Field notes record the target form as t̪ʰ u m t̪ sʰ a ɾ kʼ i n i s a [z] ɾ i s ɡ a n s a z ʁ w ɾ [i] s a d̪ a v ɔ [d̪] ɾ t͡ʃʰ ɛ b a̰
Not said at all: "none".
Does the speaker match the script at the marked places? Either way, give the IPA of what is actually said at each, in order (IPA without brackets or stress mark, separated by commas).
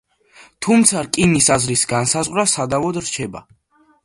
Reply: z, a, d̪